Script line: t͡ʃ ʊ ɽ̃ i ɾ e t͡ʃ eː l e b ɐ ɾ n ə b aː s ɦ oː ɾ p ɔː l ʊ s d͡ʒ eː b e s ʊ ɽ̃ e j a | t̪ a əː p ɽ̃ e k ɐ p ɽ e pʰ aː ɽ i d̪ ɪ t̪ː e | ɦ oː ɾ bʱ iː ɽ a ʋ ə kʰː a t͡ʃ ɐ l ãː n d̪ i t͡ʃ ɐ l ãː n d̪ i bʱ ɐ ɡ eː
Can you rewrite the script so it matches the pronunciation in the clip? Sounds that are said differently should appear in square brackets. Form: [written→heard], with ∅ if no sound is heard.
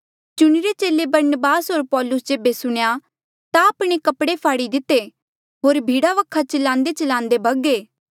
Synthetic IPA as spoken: t͡ʃ ʊ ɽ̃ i ɾ e t͡ʃ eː l e b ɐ ɾ n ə b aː s ɦ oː ɾ p ɔː l ʊ s d͡ʒ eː b e s ʊ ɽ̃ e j a | t̪ a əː p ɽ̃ e k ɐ p ɽ e pʰ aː ɽ i d̪ ɪ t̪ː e | ɦ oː ɾ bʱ iː ɽ a ʋ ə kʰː a t͡ʃ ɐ l ãː n d̪ [i→e] t͡ʃ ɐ l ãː n d̪ [i→e] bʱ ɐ ɡ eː